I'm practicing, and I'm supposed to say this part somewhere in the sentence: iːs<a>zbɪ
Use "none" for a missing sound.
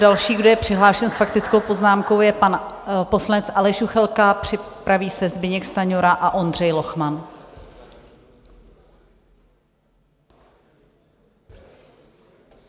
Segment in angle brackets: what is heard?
ɛ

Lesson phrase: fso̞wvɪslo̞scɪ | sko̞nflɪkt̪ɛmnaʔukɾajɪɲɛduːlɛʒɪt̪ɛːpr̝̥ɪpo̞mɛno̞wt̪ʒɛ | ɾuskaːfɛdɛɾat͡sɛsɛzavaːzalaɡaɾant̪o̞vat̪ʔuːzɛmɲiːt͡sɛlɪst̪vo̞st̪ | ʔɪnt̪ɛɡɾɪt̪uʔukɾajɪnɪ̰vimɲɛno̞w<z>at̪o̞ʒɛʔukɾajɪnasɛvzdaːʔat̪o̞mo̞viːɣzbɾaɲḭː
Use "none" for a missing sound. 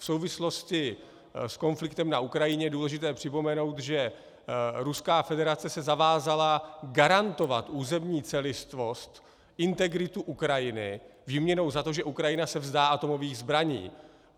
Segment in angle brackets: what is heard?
z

